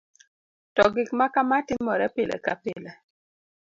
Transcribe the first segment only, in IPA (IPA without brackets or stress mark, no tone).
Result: t